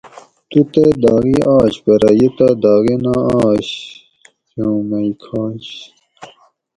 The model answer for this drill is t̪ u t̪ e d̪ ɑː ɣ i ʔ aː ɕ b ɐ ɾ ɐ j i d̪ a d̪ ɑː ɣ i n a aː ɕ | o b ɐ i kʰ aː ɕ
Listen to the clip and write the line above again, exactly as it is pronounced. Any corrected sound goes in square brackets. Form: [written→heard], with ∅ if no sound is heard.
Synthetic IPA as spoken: t̪ u t̪ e d̪ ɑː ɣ i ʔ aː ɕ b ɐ ɾ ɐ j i [d̪→t̪] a d̪ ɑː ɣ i n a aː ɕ | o [b→m] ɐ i kʰ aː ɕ